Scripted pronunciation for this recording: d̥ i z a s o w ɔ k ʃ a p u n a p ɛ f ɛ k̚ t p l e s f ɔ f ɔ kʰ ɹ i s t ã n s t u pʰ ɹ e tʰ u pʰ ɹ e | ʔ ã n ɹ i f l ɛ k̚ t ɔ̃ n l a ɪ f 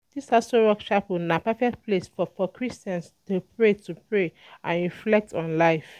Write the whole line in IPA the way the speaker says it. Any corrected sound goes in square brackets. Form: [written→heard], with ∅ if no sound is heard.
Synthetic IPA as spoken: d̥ i [z→s] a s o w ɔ k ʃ a p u n a p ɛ f ɛ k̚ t p l e s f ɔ f ɔ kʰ ɹ i s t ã n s t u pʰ ɹ e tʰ u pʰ ɹ e | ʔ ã n ɹ i f l ɛ k̚ t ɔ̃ n l a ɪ f